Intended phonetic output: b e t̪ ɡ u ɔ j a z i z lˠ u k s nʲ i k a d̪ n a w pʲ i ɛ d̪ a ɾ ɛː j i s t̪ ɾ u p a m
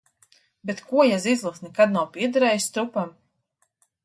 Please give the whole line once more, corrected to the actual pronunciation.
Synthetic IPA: b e t̪ k u ɔ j a z i z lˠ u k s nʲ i k a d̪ n a w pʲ i ɛ d̪ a ɾ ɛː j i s t̪ ɾ u p a m